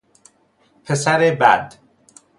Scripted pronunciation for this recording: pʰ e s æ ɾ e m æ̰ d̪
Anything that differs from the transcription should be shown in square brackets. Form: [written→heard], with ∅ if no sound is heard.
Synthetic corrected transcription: pʰ e s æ ɾ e [m→b] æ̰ d̪